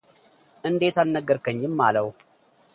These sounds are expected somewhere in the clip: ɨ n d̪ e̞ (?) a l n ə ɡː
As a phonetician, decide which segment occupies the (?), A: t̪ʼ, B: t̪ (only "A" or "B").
B